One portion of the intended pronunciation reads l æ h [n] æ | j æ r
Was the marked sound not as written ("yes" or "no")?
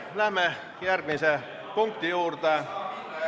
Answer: yes